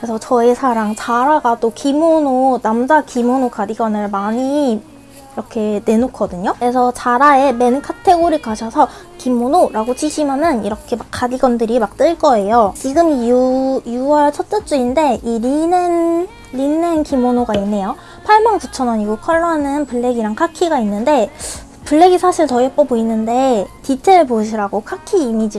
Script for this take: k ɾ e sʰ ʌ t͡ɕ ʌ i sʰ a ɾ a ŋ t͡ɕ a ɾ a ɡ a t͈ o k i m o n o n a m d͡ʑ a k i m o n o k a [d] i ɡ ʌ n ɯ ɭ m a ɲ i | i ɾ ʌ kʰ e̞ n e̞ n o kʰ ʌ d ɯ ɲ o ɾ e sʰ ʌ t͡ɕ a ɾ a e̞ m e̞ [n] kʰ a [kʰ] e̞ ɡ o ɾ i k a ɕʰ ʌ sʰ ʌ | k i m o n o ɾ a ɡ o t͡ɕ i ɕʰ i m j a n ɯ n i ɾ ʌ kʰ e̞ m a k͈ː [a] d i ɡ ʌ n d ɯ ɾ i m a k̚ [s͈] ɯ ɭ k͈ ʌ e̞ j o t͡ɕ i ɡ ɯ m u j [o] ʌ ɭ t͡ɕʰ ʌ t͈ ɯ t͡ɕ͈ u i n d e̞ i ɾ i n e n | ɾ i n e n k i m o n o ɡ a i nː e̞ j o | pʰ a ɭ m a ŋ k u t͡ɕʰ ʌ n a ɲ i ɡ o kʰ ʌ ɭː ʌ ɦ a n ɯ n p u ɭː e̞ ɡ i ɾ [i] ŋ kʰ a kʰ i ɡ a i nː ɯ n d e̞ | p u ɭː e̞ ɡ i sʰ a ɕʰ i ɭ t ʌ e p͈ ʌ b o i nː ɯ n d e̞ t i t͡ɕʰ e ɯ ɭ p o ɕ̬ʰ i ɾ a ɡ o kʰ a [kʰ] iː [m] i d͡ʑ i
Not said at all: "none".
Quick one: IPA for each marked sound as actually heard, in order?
d, n, tʰ, a, t͈, u, a, kʰ, m

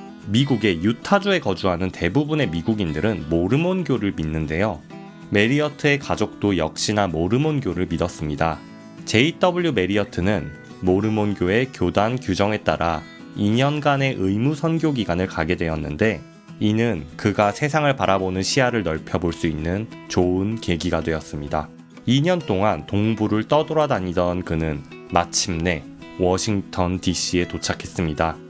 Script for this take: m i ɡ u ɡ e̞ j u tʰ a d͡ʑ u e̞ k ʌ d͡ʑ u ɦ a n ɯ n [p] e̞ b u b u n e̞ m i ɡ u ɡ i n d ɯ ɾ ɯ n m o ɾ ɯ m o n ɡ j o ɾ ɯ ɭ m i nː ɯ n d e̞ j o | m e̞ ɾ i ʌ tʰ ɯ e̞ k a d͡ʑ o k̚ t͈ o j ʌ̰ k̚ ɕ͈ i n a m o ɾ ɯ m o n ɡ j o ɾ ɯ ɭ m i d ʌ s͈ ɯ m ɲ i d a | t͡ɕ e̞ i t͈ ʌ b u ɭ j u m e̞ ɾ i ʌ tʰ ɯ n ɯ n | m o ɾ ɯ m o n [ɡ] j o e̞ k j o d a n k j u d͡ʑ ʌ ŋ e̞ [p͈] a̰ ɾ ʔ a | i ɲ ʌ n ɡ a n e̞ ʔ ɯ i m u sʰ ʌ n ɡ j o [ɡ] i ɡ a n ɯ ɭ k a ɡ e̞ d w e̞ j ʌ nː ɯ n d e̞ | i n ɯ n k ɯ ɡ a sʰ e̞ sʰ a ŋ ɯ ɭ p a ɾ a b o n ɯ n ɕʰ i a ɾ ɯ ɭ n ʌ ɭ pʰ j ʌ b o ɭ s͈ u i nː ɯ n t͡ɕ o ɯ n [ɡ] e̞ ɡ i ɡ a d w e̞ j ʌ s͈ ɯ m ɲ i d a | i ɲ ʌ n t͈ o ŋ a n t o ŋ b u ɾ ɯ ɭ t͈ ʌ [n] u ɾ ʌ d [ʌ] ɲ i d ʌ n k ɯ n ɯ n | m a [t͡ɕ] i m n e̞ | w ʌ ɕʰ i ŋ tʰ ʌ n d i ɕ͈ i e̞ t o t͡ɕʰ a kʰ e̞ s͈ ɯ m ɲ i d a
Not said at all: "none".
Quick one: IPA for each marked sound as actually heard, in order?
t, ɡ, t͈, ɡ, k, d, a, t͡ɕʰ

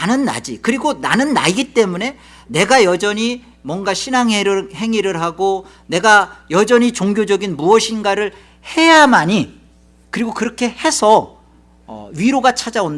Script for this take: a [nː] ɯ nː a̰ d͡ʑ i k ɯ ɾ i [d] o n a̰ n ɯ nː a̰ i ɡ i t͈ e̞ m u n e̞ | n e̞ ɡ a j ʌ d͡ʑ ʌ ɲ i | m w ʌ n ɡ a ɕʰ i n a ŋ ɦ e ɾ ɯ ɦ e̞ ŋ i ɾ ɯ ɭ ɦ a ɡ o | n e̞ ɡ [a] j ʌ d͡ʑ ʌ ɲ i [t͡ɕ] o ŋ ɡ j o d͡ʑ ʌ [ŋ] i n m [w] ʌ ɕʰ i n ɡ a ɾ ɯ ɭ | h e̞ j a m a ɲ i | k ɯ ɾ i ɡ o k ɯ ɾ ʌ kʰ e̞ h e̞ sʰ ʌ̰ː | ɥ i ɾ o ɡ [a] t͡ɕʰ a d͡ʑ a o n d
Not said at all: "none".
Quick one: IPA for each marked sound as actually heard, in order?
n, ɡ, a, t͡ɕ, ɡ, u, a

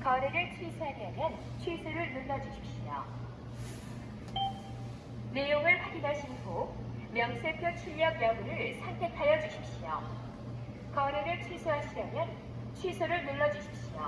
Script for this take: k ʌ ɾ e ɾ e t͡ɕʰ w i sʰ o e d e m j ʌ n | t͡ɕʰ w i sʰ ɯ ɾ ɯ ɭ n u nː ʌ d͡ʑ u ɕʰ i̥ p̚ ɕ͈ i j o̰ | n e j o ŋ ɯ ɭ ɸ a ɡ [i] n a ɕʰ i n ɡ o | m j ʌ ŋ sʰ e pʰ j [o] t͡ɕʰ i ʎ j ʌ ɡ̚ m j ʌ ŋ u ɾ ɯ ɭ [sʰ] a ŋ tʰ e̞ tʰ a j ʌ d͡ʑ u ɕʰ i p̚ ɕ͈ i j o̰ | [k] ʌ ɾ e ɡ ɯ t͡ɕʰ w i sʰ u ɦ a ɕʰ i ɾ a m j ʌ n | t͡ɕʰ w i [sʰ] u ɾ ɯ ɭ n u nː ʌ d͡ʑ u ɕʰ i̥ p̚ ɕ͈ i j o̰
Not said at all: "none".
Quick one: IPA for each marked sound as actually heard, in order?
i, o, sʰ, k, sʰ

